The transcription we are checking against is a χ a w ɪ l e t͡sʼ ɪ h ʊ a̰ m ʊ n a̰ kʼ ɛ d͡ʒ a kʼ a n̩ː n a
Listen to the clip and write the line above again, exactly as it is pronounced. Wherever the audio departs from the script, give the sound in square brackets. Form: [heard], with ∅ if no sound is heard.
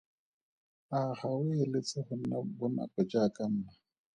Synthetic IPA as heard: a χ a w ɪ l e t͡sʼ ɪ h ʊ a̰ [b] ʊ n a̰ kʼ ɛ d͡ʒ a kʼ a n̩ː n a